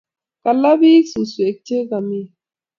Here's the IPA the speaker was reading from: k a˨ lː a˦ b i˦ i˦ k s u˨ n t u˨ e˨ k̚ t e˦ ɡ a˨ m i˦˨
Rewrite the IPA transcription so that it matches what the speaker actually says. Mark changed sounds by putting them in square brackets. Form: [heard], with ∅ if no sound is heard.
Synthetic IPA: k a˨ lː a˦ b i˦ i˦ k s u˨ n [s] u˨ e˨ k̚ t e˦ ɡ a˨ m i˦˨